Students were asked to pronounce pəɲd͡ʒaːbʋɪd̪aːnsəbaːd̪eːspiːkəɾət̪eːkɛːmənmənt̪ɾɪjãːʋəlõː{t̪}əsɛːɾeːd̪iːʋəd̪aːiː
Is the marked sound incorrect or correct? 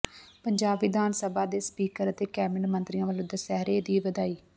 incorrect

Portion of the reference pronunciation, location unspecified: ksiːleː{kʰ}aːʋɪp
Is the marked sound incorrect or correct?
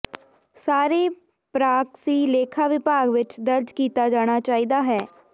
correct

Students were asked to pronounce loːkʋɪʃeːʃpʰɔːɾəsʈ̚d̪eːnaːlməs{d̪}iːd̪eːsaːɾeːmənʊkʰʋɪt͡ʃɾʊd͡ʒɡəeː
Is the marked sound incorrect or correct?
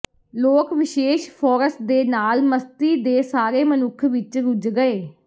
incorrect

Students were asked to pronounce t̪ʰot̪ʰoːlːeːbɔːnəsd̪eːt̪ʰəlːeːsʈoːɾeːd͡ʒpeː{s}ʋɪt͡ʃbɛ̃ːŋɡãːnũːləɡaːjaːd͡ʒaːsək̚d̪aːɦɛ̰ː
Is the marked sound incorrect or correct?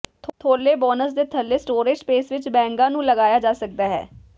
correct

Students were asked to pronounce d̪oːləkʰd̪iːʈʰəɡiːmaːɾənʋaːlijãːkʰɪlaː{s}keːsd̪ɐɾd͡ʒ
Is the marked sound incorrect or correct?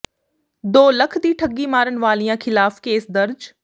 incorrect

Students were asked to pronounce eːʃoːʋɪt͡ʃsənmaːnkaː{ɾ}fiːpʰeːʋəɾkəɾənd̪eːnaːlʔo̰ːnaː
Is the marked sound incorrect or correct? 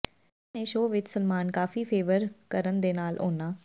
incorrect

